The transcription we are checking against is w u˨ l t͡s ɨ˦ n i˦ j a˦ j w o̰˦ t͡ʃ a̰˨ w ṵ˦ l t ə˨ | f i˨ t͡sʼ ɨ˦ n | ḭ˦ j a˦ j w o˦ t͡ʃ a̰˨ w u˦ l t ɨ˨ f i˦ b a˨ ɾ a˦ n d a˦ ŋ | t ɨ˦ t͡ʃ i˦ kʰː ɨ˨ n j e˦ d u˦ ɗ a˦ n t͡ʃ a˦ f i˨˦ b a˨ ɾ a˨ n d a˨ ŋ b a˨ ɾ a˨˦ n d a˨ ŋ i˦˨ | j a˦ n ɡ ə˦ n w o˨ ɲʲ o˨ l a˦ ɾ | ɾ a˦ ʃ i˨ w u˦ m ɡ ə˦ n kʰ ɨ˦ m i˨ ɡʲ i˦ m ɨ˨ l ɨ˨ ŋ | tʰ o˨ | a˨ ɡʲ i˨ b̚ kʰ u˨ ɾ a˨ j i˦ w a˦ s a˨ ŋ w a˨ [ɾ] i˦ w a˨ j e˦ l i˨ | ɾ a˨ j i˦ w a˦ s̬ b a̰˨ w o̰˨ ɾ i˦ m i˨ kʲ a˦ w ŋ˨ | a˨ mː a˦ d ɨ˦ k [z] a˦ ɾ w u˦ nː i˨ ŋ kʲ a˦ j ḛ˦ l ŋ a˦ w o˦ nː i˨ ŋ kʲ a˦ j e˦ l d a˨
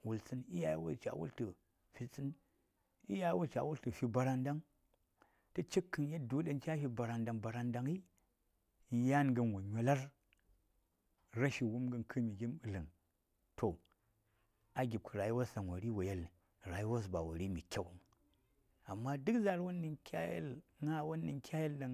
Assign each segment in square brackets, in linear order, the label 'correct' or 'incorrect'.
correct, correct

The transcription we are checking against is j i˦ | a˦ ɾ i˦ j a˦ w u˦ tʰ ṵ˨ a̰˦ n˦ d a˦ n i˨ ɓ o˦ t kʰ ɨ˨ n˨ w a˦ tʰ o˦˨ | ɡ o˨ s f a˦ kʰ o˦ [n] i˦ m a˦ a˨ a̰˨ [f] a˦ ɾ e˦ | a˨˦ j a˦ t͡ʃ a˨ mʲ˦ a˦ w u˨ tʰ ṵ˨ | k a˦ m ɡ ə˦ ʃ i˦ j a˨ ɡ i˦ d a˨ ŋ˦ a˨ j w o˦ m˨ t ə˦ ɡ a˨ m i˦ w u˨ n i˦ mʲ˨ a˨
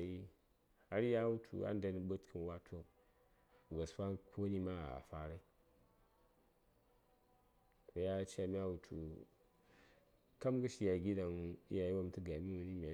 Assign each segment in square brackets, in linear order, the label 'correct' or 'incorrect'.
correct, correct

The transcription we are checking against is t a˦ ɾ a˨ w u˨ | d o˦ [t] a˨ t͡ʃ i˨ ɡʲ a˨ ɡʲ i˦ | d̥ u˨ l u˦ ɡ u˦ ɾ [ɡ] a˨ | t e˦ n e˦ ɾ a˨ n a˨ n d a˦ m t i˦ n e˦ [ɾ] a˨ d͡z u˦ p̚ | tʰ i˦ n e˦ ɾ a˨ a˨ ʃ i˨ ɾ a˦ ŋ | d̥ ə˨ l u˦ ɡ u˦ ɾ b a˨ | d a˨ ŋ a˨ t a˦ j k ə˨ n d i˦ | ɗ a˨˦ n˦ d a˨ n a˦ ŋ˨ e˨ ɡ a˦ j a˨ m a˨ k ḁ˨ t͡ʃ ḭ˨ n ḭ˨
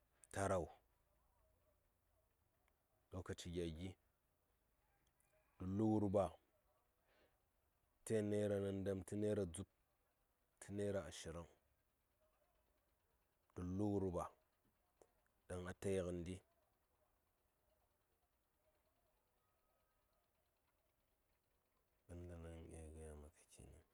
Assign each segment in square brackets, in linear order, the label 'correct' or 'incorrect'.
incorrect, incorrect, correct

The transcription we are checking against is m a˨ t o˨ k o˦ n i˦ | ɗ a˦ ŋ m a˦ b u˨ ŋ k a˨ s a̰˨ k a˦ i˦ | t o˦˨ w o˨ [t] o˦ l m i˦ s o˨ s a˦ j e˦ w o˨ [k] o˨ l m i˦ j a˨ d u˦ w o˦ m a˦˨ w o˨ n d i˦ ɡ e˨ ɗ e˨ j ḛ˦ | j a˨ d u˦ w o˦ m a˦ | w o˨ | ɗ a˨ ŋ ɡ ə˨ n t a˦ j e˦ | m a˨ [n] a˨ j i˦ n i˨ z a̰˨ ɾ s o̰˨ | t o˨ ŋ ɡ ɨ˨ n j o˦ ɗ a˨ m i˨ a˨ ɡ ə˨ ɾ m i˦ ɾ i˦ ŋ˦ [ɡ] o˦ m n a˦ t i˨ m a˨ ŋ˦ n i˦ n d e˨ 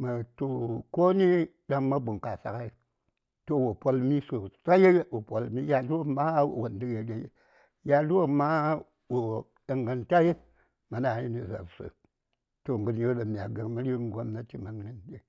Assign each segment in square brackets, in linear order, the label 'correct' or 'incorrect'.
incorrect, incorrect, correct, correct

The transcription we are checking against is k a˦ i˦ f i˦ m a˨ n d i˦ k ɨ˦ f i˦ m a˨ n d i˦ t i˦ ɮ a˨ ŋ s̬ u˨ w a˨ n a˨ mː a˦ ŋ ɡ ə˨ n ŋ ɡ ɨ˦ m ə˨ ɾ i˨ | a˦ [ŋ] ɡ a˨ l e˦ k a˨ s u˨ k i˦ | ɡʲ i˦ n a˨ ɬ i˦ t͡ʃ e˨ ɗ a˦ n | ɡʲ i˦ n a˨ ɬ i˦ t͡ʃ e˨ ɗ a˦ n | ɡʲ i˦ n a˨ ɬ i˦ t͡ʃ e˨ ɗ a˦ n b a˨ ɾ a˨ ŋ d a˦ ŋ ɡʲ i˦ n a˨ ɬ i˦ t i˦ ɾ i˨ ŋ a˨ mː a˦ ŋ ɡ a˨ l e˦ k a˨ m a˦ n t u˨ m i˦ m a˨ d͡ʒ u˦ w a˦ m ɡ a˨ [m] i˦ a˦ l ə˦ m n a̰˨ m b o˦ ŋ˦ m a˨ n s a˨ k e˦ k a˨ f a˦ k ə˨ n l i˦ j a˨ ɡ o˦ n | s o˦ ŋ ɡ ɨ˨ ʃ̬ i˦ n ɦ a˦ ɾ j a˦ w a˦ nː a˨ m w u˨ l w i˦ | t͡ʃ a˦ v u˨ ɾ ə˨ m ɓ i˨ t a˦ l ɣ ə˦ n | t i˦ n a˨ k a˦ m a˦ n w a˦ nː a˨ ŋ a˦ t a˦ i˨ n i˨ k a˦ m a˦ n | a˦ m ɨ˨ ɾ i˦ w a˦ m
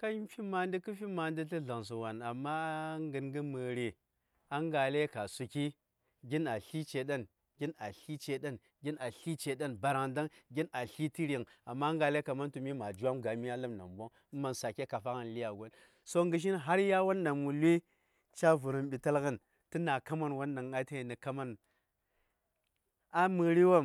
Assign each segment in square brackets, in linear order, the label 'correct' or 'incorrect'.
correct, correct

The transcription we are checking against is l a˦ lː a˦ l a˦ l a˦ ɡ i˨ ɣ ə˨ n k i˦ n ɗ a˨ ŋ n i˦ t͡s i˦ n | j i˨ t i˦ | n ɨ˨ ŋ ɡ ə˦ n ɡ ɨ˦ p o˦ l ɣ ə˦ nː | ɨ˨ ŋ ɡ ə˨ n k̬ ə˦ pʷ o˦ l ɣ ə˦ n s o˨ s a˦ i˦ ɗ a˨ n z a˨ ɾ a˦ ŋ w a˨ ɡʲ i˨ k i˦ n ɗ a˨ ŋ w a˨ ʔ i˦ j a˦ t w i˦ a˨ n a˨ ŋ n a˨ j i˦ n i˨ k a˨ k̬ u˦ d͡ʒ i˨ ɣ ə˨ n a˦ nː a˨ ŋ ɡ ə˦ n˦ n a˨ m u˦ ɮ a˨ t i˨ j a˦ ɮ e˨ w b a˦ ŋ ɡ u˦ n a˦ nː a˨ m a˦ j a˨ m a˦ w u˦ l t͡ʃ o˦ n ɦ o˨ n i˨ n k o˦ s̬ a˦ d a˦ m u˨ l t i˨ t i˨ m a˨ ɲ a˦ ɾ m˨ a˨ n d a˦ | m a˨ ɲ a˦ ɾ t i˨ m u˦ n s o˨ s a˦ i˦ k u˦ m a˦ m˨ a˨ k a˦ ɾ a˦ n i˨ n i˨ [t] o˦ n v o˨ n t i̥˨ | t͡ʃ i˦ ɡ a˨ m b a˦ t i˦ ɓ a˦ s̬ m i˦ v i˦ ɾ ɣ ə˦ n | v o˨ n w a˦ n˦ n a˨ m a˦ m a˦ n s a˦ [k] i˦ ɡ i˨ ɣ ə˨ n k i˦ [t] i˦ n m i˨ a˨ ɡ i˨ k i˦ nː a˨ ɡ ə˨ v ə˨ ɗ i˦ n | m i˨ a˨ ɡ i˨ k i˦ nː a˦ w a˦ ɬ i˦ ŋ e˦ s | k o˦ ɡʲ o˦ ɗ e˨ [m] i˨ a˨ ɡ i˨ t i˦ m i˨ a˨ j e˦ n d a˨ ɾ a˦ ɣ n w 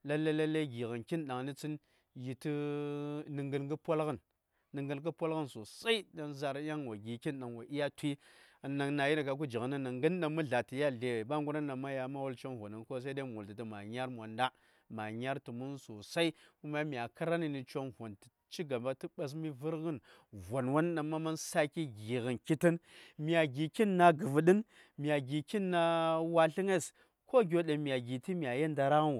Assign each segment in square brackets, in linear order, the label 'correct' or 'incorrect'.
incorrect, correct, correct, correct

